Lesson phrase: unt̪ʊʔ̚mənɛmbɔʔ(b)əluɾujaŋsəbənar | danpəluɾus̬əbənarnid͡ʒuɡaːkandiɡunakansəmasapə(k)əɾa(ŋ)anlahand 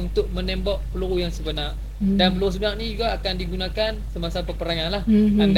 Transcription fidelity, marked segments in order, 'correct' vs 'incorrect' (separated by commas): incorrect, incorrect, correct